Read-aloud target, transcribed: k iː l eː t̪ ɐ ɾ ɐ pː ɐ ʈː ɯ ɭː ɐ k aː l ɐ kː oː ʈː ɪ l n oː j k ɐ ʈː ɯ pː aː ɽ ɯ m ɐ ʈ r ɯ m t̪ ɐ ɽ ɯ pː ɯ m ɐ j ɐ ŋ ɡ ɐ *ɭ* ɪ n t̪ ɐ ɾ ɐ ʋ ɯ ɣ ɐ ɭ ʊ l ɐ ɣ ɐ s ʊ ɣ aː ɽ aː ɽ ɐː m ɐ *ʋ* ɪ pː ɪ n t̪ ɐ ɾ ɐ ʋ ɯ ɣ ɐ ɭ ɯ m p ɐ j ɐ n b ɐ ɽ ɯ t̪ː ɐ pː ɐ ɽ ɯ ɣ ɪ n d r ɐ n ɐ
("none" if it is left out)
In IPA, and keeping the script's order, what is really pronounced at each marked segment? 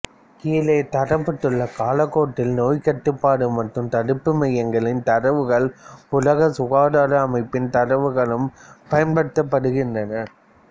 ɭ, none

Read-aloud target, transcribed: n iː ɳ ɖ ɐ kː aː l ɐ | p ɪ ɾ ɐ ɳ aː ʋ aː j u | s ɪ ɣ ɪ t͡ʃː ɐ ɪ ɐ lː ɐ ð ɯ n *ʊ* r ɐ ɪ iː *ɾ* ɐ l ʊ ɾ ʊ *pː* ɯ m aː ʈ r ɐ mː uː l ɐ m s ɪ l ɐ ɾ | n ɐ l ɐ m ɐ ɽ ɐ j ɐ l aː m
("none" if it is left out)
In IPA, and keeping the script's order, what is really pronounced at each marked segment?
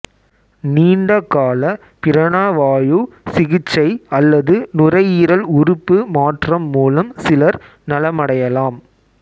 ʊ, ɾ, pː

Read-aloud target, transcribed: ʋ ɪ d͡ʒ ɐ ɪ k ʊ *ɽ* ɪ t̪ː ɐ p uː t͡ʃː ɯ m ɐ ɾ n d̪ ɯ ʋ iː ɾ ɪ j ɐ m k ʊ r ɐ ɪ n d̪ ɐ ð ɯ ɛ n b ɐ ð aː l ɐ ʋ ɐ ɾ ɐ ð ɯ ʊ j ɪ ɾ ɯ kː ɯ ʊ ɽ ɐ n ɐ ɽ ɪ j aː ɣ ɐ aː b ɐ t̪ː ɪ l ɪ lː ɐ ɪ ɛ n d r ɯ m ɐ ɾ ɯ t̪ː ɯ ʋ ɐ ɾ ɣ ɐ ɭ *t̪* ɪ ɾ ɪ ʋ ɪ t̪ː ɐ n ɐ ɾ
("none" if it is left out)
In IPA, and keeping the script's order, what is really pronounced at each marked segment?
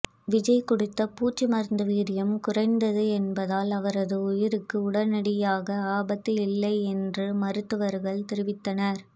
ɽ, t̪

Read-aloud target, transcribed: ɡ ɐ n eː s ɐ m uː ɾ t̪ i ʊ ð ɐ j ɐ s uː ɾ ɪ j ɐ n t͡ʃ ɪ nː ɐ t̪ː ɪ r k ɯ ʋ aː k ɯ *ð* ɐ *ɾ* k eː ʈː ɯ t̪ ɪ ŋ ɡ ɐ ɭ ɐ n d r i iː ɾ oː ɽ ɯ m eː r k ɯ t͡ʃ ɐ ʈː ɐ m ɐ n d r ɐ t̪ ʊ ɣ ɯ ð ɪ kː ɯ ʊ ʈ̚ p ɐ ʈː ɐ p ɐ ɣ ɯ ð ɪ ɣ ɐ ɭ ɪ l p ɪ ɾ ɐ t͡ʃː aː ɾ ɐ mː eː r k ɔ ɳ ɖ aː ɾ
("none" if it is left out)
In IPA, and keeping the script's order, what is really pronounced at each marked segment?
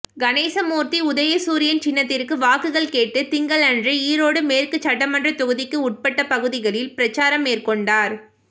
ɣ, ɭ

